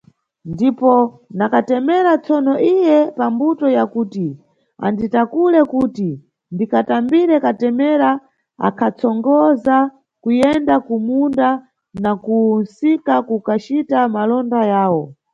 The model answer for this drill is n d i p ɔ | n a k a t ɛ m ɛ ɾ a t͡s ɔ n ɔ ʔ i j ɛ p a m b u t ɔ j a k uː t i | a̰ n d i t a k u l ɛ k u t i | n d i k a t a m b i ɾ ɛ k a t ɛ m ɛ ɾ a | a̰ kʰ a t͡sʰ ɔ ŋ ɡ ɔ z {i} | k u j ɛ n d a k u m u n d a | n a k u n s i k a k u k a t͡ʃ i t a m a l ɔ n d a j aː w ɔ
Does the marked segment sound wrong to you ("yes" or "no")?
yes